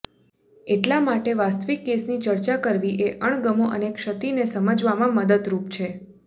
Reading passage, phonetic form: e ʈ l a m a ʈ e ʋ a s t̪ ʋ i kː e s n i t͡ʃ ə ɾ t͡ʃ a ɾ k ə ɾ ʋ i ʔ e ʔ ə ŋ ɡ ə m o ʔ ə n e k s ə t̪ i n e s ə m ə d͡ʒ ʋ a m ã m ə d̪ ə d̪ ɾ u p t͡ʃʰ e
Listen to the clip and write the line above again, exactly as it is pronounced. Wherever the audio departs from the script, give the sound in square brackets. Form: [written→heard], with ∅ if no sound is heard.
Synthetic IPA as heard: e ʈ l a m a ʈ e ʋ a s t̪ ʋ i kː e s n i t͡ʃ ə ɾ t͡ʃ a [ɾ→∅] k ə ɾ ʋ i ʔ e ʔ ə [ŋ→ɳ] ɡ ə m o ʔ ə n e k [s→ʃ] ə t̪ i n e s ə m ə d͡ʒ ʋ a m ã m ə d̪ ə d̪ ɾ u p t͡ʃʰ e

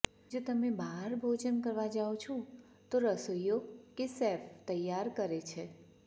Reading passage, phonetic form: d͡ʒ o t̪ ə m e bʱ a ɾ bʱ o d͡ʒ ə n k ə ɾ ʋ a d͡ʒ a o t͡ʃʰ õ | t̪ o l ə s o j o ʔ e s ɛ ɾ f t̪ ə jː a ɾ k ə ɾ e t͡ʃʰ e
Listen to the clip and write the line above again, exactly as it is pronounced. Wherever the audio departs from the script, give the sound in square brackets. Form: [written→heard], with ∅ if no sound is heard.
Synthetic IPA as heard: d͡ʒ o t̪ ə m e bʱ a ɾ bʱ o d͡ʒ ə n k ə ɾ ʋ a d͡ʒ a o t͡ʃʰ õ | t̪ o [l→ɾ] ə s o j o [ʔ→k] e s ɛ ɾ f t̪ ə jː a ɾ k ə ɾ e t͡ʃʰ e

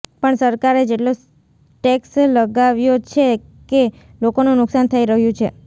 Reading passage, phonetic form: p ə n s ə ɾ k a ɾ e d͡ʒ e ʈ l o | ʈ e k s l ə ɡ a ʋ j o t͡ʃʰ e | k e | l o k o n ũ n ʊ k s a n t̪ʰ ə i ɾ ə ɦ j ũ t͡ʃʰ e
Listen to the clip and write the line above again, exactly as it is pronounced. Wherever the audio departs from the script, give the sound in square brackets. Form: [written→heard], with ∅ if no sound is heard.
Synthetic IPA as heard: p ə [n→ɳ] s ə ɾ k a ɾ e d͡ʒ e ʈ l o | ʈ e k s l ə ɡ a ʋ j o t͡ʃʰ e | k e | l o k o n ũ n ʊ k s a n t̪ʰ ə i ɾ ə ɦ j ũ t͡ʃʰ e

